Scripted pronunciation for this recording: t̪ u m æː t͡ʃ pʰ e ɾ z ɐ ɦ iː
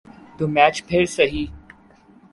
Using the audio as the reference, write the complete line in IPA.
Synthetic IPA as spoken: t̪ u m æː t͡ʃ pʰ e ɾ s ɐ ɦ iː